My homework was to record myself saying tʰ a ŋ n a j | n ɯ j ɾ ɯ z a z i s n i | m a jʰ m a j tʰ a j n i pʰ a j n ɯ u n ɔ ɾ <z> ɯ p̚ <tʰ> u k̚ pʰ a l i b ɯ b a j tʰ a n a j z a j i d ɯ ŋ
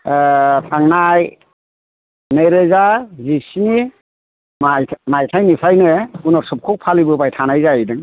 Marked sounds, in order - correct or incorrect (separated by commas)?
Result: incorrect, incorrect